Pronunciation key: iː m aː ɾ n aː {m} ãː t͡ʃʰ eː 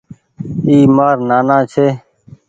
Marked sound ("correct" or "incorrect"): incorrect